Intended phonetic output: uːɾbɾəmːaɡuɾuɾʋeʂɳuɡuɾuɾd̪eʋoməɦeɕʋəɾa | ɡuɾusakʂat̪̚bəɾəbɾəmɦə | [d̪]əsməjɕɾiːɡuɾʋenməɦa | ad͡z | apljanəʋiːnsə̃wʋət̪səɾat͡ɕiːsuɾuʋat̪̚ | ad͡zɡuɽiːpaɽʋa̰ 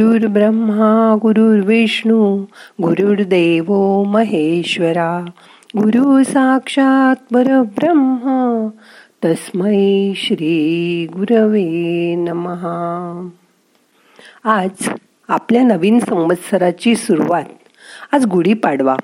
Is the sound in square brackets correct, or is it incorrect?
incorrect